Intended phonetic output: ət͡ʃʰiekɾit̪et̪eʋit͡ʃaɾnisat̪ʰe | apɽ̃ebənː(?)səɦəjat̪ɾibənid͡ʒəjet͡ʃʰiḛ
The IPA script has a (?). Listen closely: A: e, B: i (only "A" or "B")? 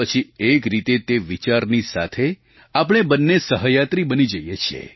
A